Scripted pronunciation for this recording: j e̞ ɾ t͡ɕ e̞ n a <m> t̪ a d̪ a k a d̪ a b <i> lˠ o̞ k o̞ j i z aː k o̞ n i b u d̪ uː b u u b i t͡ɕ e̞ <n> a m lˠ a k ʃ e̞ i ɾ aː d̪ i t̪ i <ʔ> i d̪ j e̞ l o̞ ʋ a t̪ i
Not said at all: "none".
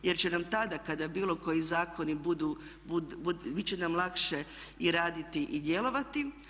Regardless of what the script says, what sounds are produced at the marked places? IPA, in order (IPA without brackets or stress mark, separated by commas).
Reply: m, iː, n, ʔ